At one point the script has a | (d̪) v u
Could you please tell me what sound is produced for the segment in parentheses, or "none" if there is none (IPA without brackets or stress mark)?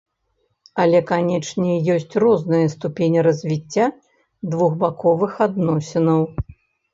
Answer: d̪